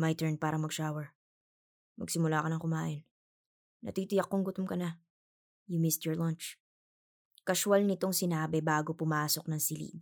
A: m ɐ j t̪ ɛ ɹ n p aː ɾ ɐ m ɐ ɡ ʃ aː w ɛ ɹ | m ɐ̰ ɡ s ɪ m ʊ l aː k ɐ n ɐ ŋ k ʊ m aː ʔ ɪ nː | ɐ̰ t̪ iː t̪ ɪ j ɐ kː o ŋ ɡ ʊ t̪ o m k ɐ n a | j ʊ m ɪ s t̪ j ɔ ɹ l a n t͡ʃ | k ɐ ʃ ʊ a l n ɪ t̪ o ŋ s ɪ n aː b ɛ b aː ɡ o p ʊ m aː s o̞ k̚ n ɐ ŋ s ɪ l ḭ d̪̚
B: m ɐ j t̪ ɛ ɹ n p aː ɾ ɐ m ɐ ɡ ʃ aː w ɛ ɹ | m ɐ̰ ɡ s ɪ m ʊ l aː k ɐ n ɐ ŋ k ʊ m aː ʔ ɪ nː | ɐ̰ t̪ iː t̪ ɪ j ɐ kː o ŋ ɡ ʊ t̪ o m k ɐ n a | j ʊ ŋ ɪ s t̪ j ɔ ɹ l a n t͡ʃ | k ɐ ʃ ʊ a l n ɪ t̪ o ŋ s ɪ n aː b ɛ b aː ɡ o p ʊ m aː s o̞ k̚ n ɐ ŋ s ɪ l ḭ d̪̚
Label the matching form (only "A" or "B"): A